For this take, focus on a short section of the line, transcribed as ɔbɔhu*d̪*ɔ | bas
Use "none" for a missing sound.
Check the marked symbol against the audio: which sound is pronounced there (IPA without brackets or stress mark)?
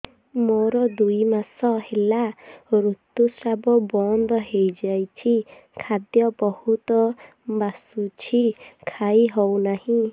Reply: t̪